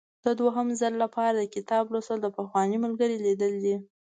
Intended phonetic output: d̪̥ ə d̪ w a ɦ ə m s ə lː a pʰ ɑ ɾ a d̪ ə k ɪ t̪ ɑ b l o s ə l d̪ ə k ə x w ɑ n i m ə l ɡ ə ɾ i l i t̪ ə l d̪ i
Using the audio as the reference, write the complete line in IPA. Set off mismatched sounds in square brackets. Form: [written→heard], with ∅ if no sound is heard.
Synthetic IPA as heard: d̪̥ ə d̪ w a ɦ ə m [s→z] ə lː a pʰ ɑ ɾ a d̪ ə k ɪ t̪ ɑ b l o s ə l d̪ ə [k→p] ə x w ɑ n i m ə l ɡ ə ɾ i l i [t̪→d̪] ə l d̪ i